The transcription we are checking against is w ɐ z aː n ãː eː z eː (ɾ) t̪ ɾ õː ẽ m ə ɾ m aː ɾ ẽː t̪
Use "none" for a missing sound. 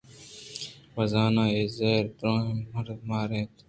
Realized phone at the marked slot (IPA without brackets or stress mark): ɾ